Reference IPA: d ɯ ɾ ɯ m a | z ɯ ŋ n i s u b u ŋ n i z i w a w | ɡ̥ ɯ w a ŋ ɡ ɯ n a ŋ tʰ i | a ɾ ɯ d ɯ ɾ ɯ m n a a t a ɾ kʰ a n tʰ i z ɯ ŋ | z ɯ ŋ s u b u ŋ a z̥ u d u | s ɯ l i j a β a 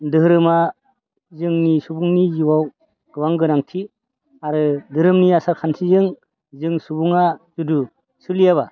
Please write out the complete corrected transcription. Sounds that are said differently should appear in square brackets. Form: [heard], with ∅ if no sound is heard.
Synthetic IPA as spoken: d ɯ ɾ ɯ m a | z ɯ ŋ n i s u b u ŋ n i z i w a w | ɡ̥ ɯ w a ŋ ɡ ɯ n a ŋ tʰ i | a ɾ ɯ d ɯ ɾ ɯ m n [i] a [s] a ɾ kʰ a n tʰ i z ɯ ŋ | z ɯ ŋ s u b u ŋ a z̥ u d u | s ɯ l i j a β a